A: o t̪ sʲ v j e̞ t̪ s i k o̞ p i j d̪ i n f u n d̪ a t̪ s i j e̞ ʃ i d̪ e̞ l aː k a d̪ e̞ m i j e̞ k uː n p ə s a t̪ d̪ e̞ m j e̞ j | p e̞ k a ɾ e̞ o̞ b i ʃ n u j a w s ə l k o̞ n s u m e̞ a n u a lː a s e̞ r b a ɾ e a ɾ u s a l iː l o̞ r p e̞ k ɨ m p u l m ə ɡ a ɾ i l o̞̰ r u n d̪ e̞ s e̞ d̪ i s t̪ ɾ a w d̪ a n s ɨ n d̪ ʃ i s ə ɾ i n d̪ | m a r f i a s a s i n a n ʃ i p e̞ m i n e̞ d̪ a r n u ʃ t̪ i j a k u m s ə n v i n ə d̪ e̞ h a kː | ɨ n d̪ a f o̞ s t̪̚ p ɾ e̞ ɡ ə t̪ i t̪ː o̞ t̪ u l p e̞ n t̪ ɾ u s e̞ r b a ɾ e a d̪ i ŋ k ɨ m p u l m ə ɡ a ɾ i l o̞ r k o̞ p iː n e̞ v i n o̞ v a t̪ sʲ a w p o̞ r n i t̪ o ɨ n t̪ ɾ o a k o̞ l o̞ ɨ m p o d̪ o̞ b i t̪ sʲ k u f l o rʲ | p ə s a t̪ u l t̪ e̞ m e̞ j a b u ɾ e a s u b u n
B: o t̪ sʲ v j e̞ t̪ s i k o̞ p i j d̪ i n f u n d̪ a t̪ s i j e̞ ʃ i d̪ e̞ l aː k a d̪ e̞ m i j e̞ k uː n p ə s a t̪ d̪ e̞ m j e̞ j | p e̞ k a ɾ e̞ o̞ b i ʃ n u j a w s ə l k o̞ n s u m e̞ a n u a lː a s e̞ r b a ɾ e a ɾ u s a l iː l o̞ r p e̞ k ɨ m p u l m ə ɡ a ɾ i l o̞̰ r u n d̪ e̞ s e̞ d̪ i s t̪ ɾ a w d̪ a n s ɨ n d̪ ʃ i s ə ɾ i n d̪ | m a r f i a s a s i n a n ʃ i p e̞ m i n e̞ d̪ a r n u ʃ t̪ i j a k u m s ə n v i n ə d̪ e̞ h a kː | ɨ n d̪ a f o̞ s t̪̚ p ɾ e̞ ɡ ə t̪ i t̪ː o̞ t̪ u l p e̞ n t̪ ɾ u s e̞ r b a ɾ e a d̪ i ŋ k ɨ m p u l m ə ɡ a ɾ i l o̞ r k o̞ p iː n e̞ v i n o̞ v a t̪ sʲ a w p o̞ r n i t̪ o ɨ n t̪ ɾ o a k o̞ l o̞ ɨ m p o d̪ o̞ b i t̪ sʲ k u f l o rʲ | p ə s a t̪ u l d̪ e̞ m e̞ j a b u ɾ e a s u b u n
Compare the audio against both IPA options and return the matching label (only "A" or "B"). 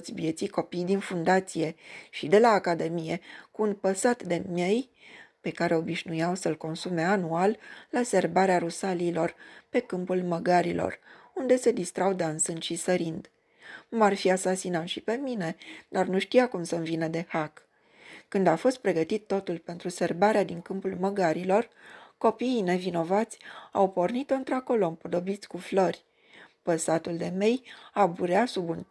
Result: B